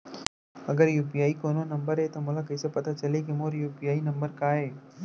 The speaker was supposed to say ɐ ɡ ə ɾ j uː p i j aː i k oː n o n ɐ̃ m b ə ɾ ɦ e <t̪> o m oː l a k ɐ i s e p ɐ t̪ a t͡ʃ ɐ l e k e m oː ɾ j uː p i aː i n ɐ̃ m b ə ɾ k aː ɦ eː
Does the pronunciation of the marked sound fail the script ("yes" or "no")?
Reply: no